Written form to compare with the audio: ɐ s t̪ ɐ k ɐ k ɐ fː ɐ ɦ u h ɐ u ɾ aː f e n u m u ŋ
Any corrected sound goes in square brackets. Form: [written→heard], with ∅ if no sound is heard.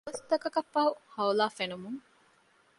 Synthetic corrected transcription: ɐ s t̪ ɐ k ɐ k ɐ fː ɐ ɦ u h ɐ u [ɾ→l] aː f e n u m u ŋ

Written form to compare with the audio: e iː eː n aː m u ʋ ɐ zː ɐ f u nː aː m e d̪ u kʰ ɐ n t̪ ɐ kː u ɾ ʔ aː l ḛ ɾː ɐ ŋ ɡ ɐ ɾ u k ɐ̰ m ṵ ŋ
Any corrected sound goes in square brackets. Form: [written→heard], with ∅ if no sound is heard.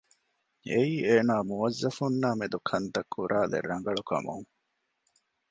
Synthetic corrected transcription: e iː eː n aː m u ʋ ɐ zː ɐ f u nː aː m e d̪ u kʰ ɐ n t̪ ɐ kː u ɾ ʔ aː l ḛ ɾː ɐ ŋ ɡ ɐ [ɾ→ɭ] u k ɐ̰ m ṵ ŋ

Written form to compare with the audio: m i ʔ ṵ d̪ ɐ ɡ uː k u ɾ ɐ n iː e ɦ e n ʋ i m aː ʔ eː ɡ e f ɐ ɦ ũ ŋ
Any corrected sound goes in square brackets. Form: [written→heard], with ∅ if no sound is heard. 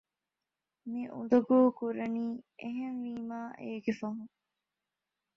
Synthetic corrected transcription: m i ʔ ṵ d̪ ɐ ɡ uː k u ɾ ɐ n iː e ɦ e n ʋ [i→iː] m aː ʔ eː ɡ e f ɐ ɦ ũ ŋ

